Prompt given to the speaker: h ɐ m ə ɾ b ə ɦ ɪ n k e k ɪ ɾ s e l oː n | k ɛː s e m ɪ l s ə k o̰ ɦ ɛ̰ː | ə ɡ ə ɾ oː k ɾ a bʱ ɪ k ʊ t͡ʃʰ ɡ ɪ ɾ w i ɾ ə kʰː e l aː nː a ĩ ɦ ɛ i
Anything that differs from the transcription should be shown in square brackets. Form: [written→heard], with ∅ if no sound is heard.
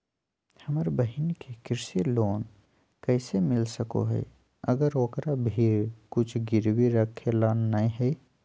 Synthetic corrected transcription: h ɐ m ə ɾ b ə ɦ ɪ n k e k ɪ ɾ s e l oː n | k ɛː s e m ɪ l s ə k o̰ ɦ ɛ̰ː | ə ɡ ə ɾ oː k ɾ a bʱ [ɪ→i] k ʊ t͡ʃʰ ɡ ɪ ɾ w i ɾ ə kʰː e l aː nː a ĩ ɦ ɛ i

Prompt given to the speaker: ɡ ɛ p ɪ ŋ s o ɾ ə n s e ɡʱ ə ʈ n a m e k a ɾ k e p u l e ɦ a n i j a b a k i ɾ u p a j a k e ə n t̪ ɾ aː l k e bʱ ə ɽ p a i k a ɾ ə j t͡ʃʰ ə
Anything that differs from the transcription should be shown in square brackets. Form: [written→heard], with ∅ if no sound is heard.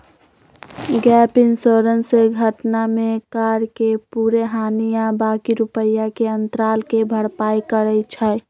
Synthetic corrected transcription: ɡ ɛ p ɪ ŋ s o ɾ ə n s e ɡʱ ə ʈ n a m e k a ɾ k e p u [l→ɾ] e ɦ a n i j a b a k i ɾ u p [a→ə] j a k e ə n t̪ ɾ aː l k e bʱ ə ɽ p a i k [a→ə] ɾ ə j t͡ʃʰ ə

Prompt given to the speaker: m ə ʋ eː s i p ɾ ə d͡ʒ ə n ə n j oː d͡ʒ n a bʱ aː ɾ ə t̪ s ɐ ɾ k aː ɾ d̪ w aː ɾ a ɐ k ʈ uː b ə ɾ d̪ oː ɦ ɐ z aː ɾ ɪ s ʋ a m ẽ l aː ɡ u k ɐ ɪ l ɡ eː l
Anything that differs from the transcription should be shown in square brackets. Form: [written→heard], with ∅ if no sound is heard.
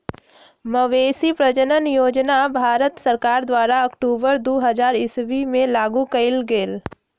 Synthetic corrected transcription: m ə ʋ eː s i p ɾ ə d͡ʒ ə n ə n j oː d͡ʒ n a bʱ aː ɾ ə t̪ s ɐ ɾ k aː ɾ d̪ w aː ɾ a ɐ k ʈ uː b ə ɾ d̪ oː ɦ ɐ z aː ɾ ɪ s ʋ [a→i] m ẽ l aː ɡ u k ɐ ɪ l ɡ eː l

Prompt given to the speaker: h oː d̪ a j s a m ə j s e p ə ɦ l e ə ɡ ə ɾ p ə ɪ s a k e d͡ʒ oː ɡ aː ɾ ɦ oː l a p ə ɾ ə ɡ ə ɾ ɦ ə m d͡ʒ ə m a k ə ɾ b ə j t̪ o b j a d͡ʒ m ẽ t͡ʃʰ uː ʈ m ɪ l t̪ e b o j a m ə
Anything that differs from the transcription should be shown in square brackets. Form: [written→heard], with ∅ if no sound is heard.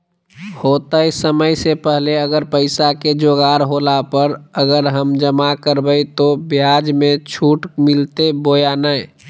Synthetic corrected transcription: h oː [d̪→t̪] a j s [a→ə] m ə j s e p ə ɦ l e ə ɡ ə ɾ p ə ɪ s a k e d͡ʒ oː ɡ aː ɾ ɦ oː l a p ə ɾ ə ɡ ə ɾ ɦ ə m d͡ʒ ə m a k ə ɾ b ə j t̪ o b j a d͡ʒ m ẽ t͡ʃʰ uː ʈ m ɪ l t̪ e b o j a [m→n] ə

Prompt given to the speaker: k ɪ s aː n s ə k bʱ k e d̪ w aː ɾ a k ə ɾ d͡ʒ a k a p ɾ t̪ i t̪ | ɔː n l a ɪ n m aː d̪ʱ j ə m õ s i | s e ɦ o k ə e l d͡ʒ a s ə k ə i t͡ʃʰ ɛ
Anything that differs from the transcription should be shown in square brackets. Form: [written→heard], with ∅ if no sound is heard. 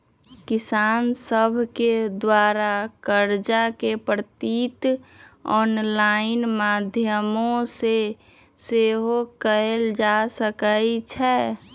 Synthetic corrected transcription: k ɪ s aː n s ə [k→∅] bʱ k e d̪ w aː ɾ a k ə ɾ d͡ʒ a k [a→e] p ɾ t̪ i t̪ | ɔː n l a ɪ n m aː d̪ʱ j ə m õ s [i→e] | s e ɦ o k ə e l d͡ʒ a s ə k ə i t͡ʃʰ ɛ

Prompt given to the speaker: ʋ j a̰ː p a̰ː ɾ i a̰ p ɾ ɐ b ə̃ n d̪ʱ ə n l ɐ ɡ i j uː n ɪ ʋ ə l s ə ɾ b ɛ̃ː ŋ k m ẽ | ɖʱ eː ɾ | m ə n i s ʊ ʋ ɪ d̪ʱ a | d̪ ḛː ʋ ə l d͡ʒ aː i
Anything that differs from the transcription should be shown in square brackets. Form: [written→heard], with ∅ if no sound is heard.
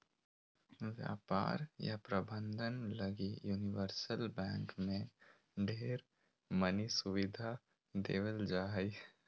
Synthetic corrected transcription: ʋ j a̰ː p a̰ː ɾ [i→j] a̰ p ɾ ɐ b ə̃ n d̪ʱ ə n l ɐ ɡ i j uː n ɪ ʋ ə [l→ɾ] s ə [ɾ→l] b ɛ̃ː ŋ k m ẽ | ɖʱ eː ɾ | m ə n i s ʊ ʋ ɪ d̪ʱ a | d̪ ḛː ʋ ə l d͡ʒ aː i

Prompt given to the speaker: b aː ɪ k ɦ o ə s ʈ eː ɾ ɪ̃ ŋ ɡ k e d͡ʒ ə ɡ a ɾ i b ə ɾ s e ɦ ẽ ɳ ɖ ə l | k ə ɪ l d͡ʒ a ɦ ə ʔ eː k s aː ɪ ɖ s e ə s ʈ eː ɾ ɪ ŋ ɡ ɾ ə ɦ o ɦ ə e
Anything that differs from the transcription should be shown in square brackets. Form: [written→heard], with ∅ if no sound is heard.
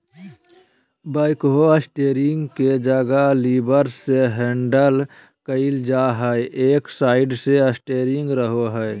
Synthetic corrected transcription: b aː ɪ k ɦ o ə s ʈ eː ɾ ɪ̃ ŋ ɡ k e d͡ʒ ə ɡ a [ɾ→l] i b ə ɾ s e ɦ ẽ ɳ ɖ ə l | k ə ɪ l d͡ʒ a ɦ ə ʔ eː k s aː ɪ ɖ s e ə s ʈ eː ɾ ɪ ŋ ɡ ɾ ə ɦ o ɦ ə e

